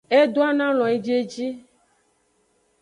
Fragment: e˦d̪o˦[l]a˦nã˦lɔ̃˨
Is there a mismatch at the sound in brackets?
yes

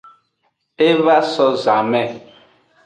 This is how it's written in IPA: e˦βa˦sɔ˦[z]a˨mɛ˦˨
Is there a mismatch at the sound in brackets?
no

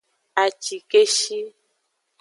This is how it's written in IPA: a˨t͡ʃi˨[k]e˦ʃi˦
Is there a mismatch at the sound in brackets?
no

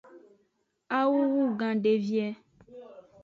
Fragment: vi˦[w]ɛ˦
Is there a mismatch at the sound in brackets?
yes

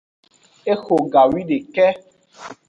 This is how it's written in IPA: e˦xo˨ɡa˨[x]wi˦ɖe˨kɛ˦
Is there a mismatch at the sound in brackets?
yes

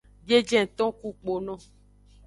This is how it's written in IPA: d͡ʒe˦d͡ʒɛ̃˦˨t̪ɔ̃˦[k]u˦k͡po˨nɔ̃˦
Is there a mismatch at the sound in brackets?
no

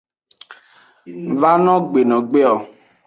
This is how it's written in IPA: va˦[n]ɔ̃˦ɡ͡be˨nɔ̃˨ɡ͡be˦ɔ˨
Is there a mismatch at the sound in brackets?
no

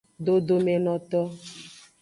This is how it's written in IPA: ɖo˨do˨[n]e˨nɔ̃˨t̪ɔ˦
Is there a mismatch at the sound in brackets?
yes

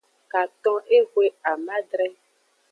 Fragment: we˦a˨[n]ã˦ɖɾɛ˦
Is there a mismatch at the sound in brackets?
yes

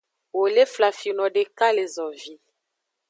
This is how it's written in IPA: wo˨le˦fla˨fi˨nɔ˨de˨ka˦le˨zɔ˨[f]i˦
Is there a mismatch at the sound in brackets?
yes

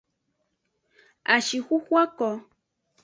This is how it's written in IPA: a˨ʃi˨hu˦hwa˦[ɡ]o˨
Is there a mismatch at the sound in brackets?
yes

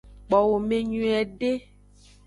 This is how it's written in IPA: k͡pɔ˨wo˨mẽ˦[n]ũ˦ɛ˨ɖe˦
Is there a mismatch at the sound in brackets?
yes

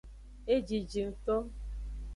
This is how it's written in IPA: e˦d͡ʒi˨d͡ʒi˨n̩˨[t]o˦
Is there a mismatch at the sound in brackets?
no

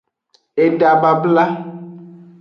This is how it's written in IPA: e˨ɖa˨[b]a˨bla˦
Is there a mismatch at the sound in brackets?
no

